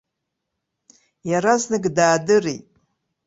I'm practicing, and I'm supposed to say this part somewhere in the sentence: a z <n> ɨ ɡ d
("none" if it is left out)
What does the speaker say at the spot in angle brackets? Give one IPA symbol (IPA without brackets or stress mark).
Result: n